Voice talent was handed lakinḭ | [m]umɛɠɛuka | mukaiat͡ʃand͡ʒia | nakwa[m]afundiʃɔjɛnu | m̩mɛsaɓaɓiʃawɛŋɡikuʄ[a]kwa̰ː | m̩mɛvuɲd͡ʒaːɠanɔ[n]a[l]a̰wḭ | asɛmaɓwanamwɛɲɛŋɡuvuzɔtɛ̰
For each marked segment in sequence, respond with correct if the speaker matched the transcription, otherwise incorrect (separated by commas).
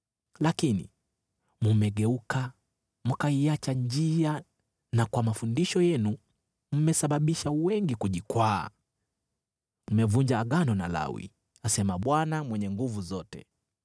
correct, correct, incorrect, correct, correct